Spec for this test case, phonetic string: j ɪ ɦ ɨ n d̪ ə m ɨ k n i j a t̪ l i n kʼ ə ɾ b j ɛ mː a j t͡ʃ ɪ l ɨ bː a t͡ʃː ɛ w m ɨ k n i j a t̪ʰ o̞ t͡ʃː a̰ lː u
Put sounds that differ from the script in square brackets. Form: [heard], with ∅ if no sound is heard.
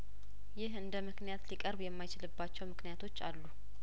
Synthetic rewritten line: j ɪ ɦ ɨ n d̪ ə m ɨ k n i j a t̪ l i [∅] kʼ ə ɾ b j ɛ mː a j t͡ʃ ɪ l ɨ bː a t͡ʃː ɛ w m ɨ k n i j a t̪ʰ o̞ t͡ʃː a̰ lː u